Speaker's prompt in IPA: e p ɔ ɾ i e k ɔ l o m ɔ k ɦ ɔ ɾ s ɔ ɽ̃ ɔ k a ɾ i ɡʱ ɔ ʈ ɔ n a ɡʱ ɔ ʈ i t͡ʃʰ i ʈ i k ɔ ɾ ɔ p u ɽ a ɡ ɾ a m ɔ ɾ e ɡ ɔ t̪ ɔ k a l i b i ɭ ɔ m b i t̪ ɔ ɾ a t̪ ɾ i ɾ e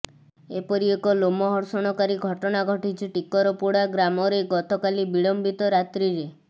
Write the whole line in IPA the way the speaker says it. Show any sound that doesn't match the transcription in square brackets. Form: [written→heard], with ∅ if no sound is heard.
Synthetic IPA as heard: e p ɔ ɾ i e k ɔ l o m ɔ [k→∅] ɦ ɔ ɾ s ɔ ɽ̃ ɔ k a ɾ i ɡʱ ɔ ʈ ɔ n a ɡʱ ɔ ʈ i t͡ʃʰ i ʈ i k ɔ ɾ ɔ p u ɽ a ɡ ɾ a m ɔ ɾ e ɡ ɔ t̪ ɔ k a l i b i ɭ ɔ m b i t̪ ɔ ɾ a t̪ ɾ i ɾ e